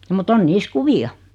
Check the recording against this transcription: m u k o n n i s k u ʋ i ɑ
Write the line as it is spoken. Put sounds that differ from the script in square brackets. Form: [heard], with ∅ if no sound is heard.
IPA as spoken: m u [t] o n n [iː] s k u ʋ i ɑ